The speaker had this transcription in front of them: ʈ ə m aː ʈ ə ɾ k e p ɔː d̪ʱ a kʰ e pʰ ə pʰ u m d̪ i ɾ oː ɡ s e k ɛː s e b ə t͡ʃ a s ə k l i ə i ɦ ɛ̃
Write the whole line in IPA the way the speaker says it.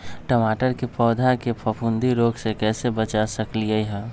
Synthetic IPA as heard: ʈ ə m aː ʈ ə ɾ k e p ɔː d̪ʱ a k e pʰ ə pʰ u n d̪ i ɾ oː ɡ s e k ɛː s e b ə t͡ʃ a s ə k l i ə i ɦ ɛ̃